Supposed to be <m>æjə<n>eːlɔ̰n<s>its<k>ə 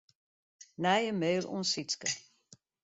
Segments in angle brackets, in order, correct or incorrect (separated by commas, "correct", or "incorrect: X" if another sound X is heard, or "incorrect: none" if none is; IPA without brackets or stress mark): incorrect: n, incorrect: m, correct, correct